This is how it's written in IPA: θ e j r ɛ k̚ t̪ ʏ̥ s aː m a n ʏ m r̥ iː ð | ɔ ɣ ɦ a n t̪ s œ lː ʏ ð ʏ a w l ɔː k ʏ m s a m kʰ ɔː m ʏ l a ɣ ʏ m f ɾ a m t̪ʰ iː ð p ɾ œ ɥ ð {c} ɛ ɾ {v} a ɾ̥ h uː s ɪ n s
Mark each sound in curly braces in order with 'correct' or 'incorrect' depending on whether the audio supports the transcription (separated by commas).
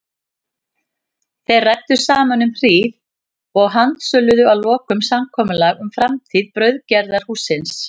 correct, incorrect